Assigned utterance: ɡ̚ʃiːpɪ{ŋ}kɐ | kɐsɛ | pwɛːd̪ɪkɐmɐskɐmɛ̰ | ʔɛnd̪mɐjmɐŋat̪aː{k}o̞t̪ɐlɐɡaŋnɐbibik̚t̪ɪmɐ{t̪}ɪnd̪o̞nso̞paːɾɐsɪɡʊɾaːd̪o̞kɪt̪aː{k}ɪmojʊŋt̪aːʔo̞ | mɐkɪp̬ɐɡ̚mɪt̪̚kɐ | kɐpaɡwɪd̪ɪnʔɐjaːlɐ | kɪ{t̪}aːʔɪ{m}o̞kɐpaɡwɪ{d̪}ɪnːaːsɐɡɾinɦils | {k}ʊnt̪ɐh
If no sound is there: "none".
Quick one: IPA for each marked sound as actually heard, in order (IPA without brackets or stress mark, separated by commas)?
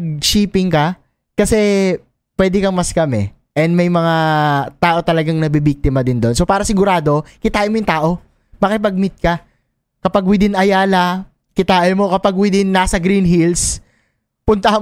ŋ, ʔ, d̪, ʔ, t̪, m, d̪, p